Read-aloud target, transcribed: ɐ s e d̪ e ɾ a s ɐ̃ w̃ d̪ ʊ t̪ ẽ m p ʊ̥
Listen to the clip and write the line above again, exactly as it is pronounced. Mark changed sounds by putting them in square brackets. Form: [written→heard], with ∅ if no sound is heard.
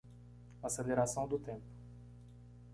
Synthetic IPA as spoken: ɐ s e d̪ e ɾ a s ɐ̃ w̃ d̪ ʊ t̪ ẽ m p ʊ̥